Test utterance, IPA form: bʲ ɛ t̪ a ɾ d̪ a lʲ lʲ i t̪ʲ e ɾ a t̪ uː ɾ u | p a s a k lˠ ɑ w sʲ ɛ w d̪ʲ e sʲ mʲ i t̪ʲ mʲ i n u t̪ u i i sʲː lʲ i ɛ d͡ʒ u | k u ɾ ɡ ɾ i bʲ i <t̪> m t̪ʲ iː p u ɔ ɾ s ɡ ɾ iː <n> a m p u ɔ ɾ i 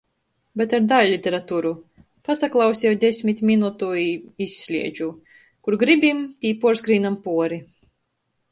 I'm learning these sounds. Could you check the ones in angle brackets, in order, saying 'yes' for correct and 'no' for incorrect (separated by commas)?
no, yes